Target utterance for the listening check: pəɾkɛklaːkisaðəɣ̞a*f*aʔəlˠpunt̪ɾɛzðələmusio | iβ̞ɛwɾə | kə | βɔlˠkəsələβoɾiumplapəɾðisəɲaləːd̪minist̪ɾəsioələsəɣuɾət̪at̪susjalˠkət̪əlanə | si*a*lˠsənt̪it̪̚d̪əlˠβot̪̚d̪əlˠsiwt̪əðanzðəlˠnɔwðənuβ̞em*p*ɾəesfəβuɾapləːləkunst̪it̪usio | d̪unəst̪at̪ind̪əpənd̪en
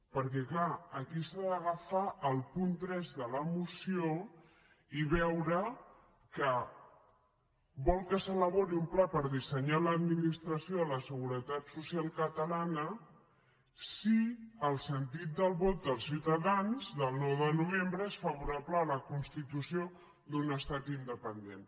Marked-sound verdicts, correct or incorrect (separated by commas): correct, incorrect, incorrect